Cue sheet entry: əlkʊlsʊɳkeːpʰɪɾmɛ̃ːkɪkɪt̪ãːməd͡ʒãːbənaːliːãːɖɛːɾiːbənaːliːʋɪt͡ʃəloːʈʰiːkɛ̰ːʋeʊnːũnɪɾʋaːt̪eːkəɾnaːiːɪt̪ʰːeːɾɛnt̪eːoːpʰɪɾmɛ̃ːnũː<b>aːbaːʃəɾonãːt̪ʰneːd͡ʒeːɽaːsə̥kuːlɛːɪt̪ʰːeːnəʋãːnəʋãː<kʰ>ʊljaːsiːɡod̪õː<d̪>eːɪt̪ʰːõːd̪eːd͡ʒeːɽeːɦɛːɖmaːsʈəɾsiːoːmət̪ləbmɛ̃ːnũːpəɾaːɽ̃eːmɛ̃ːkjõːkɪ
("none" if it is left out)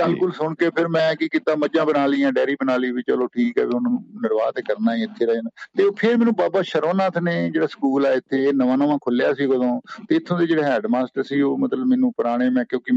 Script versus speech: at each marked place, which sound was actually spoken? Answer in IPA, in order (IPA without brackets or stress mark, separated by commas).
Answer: b, kʰ, t̪